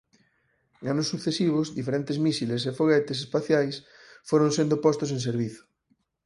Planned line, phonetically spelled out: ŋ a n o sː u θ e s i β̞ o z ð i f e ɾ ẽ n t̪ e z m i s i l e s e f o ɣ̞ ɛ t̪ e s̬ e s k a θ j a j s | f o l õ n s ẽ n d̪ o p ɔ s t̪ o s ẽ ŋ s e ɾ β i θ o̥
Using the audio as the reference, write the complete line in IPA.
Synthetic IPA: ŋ a n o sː u θ e s i β̞ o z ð i f e ɾ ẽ n t̪ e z m i s i l e s e f o ɣ̞ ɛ t̪ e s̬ e s p a θ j a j s | f o ɾ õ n s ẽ n d̪ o p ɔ s t̪ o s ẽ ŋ s e ɾ β i θ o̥